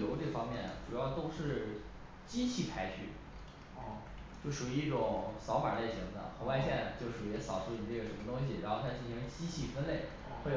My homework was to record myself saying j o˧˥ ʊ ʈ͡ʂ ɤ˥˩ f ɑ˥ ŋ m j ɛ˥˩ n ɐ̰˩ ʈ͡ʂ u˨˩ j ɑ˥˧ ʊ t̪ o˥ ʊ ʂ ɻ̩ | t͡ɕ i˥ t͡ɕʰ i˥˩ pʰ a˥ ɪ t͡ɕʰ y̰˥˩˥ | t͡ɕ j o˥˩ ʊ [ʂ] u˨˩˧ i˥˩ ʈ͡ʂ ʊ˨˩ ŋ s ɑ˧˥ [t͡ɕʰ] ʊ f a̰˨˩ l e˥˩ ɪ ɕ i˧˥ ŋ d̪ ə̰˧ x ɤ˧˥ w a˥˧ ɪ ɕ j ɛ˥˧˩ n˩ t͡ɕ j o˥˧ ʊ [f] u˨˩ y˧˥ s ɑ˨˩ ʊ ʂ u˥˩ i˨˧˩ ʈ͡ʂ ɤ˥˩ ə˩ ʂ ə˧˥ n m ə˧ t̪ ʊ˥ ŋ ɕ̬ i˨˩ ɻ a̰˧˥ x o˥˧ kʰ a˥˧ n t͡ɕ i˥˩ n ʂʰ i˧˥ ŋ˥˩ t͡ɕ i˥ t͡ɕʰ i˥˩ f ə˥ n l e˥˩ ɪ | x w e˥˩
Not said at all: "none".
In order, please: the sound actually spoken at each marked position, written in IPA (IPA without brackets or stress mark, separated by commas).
ʂ, none, ʂ